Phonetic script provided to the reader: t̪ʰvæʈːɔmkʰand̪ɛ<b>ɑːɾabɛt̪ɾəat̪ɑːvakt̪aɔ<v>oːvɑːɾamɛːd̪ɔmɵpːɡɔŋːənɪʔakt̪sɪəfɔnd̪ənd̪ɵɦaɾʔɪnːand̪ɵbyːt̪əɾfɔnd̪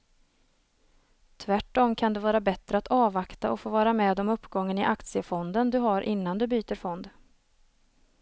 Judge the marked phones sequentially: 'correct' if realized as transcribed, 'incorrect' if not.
incorrect, incorrect

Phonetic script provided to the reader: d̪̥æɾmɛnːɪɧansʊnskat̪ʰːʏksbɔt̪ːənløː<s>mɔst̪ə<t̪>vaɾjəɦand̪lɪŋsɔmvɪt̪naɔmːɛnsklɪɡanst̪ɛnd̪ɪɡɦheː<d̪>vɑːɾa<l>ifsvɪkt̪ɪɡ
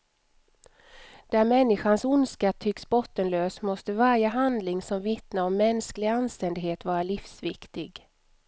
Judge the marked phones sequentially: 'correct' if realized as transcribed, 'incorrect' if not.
correct, incorrect, incorrect, correct

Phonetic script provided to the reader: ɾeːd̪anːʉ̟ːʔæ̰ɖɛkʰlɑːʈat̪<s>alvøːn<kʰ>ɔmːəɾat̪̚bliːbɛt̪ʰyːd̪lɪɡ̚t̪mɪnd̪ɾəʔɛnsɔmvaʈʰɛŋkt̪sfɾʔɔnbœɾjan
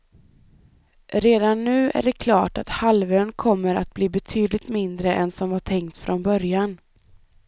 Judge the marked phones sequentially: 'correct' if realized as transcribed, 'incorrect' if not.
incorrect, correct

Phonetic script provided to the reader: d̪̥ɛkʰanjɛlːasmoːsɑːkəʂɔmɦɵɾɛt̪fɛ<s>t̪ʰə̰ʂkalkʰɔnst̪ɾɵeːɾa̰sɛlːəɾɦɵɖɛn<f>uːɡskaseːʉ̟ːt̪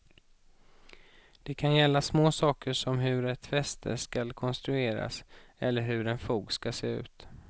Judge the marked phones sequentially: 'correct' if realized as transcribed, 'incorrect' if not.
correct, correct

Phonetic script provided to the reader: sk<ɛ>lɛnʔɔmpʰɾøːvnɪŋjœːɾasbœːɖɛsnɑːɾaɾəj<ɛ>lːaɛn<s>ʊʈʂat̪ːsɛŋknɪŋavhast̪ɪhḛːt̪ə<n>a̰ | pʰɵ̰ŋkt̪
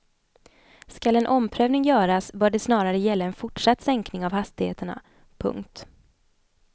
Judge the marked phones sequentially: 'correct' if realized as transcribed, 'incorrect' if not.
incorrect, correct, incorrect, incorrect

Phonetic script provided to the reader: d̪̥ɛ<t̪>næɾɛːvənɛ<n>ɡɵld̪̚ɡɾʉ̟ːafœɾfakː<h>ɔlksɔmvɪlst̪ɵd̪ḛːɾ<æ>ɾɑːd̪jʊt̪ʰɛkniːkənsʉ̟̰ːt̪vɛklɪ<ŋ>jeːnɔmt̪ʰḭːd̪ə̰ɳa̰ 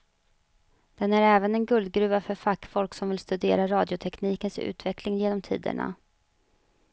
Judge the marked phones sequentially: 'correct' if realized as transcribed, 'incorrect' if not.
incorrect, correct, incorrect, incorrect, correct

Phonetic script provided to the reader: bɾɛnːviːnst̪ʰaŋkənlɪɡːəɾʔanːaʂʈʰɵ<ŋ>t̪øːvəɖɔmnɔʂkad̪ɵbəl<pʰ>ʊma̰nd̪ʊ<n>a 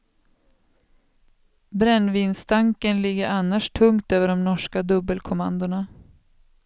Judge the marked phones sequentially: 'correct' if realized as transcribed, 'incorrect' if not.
correct, incorrect, incorrect

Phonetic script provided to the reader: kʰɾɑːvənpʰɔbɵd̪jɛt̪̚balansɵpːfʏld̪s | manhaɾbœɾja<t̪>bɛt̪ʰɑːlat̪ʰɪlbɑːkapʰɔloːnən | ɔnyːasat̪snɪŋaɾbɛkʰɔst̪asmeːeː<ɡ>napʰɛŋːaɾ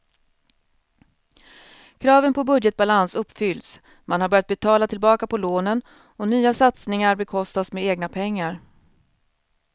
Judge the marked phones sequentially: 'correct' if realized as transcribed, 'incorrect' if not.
correct, correct

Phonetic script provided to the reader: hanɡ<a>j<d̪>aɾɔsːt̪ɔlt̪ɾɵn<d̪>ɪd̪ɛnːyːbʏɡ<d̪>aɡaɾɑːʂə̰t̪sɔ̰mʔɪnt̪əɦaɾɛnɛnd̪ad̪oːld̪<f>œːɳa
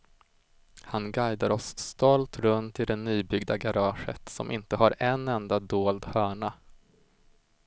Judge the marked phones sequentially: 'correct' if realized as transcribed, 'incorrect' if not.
correct, correct, incorrect, correct, incorrect

